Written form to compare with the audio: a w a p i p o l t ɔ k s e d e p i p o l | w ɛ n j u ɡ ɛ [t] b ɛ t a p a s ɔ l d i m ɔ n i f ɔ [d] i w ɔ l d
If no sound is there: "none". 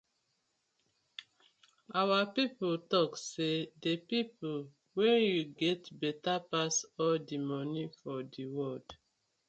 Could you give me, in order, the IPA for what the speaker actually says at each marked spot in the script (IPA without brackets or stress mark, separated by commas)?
t, d